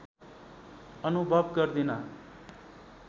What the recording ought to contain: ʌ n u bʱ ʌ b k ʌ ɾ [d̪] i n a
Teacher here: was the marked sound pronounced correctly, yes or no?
yes